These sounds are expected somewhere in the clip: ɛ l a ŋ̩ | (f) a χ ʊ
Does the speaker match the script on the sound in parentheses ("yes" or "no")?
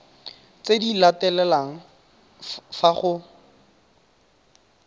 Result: yes